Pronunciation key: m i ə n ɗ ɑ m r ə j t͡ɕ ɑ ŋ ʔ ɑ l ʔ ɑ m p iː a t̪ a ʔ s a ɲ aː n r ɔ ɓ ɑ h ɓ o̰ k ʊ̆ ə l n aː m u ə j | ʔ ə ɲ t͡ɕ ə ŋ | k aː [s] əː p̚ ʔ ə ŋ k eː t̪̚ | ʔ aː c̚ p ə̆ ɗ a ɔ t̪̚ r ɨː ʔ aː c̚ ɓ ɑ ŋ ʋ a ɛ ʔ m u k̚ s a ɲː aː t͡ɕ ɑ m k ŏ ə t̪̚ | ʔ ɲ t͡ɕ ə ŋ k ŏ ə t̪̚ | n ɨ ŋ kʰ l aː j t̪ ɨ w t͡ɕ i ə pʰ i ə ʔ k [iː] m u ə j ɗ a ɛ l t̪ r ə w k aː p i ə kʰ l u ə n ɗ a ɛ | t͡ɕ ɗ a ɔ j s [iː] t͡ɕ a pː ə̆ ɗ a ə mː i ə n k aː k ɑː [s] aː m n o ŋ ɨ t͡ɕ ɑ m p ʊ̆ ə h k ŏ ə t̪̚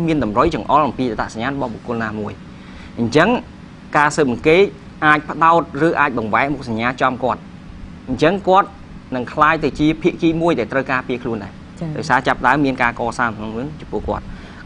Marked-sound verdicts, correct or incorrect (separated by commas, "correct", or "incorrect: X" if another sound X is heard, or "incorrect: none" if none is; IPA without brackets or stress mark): correct, correct, incorrect: aː, correct